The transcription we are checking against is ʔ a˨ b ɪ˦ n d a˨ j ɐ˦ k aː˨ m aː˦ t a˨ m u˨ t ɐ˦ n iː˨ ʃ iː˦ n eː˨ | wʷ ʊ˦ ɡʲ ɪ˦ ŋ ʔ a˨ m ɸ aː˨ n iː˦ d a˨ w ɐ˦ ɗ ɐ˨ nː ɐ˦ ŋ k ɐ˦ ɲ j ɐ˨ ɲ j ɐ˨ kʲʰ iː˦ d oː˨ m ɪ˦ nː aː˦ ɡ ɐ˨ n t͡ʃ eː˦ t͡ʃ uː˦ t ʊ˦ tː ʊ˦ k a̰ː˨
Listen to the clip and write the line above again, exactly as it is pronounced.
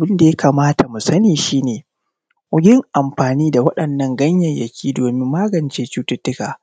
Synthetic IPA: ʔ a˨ b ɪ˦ n d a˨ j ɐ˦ k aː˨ m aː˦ t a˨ m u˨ s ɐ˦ n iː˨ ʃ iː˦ n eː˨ | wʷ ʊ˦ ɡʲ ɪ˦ ŋ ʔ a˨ m ɸ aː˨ n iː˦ d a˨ w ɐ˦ ɗ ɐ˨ nː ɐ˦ ŋ ɡ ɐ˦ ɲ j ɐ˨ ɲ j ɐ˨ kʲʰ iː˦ d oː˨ m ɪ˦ mː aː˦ ɡ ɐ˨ n t͡ʃ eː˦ t͡ʃ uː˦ t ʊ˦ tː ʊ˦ k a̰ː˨